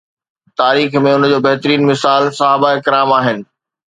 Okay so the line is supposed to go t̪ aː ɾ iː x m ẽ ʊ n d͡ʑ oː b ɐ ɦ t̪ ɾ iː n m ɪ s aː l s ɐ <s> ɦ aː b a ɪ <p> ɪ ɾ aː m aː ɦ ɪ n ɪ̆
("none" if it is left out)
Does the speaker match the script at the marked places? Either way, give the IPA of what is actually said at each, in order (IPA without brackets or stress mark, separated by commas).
none, k